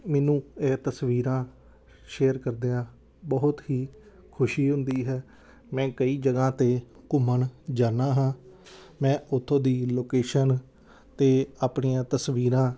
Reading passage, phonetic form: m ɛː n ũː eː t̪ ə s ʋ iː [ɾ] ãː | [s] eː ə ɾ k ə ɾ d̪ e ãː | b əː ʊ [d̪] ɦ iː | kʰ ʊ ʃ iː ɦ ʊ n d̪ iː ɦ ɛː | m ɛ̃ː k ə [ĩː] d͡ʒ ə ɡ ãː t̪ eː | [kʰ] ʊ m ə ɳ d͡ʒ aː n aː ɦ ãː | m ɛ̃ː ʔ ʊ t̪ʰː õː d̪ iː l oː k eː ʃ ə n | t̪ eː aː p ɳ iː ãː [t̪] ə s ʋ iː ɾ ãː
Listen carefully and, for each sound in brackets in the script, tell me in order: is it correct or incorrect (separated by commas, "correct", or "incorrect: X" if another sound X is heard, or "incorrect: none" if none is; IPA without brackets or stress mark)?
correct, incorrect: ʃ, incorrect: t̪, incorrect: iː, incorrect: k, correct